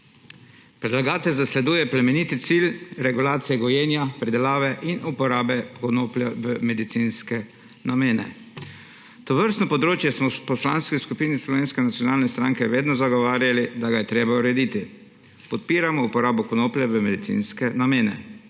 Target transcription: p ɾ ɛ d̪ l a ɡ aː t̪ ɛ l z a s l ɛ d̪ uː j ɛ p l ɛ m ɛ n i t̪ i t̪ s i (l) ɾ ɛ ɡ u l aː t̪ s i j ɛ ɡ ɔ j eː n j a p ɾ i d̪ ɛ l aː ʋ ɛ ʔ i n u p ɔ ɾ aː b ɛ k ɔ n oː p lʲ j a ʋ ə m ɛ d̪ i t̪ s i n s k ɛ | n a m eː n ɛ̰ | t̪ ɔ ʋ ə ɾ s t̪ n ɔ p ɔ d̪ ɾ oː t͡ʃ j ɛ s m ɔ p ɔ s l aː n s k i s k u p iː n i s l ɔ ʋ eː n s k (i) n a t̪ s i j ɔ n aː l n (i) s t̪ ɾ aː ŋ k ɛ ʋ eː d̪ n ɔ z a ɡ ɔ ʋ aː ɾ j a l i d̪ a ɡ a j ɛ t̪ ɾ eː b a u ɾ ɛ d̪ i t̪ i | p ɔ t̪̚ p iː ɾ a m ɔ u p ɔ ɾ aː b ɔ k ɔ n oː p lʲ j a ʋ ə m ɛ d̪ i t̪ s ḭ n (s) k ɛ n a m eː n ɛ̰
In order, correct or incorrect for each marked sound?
correct, incorrect: ɛ, incorrect: ɛ, correct

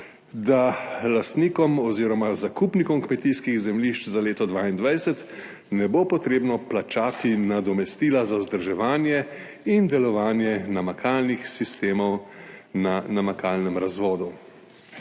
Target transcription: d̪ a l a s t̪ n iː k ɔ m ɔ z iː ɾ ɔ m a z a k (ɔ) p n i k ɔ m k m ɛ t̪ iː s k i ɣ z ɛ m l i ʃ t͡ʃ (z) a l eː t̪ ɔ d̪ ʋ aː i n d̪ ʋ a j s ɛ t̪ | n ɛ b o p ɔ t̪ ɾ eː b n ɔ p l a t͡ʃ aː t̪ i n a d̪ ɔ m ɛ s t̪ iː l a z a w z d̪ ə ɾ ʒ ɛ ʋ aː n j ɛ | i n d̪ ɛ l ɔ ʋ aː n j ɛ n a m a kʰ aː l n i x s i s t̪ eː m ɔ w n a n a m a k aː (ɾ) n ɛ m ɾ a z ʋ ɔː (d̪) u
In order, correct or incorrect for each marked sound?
incorrect: u, correct, incorrect: l, correct

